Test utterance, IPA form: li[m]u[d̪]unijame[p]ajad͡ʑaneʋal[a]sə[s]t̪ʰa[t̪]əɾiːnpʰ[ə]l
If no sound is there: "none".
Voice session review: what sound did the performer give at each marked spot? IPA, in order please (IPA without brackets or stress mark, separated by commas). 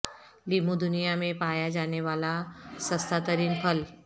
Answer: m, d̪, p, a, s, t̪, ə